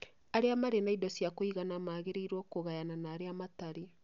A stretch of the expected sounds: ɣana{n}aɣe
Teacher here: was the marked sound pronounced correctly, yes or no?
no